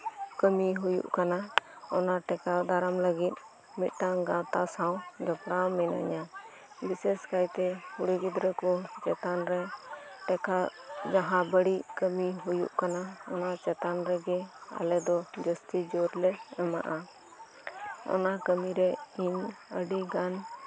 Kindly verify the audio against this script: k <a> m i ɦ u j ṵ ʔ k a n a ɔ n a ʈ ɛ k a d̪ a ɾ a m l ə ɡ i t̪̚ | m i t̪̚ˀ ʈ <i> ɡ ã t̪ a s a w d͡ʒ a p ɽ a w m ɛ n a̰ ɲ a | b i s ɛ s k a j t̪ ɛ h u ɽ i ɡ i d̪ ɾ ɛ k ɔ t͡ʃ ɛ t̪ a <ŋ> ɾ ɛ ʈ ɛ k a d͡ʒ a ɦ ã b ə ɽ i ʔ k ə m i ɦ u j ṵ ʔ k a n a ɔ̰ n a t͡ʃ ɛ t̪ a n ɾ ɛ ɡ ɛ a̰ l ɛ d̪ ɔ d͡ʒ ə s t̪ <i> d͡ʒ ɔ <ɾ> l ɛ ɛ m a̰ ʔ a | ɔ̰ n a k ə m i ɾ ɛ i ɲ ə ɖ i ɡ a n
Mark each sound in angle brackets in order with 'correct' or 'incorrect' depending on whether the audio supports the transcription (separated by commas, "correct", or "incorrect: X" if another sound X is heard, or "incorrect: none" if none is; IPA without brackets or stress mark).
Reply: incorrect: ə, incorrect: a, incorrect: n, correct, correct